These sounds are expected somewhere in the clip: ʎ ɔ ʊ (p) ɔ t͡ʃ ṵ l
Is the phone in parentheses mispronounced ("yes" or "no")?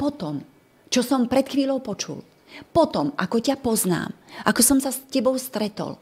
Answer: no